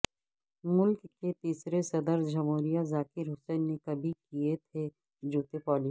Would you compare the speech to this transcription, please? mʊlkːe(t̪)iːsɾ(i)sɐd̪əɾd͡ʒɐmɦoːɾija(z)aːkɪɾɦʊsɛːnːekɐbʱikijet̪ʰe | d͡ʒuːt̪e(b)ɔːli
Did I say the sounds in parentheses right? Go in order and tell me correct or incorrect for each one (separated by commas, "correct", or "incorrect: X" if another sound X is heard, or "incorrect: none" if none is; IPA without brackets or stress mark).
correct, incorrect: e, correct, incorrect: p